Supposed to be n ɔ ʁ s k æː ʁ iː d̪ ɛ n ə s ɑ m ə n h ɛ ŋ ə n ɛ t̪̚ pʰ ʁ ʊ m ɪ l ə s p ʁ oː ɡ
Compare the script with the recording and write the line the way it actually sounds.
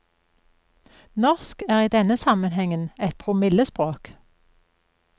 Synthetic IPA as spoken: n ɔ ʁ s k æː ʁ iː d̪ ɛ n ə s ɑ m ə n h ɛ ŋ ə n ɛ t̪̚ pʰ ʁ ʊ m ɪ l ə s p ʁ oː k